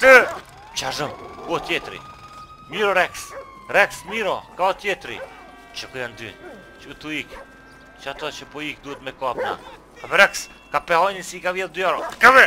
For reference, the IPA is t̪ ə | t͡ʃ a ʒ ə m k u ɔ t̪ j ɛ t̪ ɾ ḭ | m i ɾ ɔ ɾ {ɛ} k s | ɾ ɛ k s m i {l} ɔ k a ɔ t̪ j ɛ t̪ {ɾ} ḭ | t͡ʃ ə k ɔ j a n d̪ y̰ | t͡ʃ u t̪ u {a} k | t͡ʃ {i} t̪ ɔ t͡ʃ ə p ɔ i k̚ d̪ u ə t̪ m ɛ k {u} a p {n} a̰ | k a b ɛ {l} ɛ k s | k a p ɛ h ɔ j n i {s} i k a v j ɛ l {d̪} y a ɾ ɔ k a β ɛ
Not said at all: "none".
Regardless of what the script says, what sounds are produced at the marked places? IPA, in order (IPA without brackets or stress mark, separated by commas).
ɛ, ɾ, ɾ, i, a, ɔ, n, ɾ, s, d̪